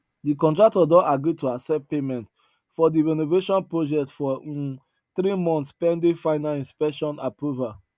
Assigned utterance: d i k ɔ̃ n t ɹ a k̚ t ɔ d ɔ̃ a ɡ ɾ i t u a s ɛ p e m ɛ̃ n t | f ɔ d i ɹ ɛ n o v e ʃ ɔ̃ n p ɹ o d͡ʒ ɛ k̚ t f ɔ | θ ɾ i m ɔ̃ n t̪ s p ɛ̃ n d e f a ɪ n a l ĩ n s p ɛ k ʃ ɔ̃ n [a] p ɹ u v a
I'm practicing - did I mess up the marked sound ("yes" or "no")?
no